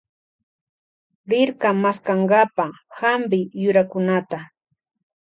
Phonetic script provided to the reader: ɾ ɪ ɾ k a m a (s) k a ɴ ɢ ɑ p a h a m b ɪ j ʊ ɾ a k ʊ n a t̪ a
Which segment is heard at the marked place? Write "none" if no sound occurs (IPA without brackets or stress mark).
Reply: s